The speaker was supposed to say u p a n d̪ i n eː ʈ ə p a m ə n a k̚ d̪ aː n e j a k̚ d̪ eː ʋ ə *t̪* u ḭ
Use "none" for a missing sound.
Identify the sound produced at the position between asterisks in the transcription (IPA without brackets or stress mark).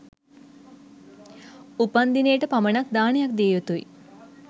t̪